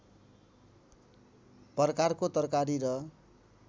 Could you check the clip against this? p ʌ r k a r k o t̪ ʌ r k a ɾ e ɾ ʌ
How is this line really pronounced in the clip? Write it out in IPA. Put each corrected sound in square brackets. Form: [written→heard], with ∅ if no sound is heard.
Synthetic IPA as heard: p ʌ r k a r k o t̪ ʌ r k a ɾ [e→i] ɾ ʌ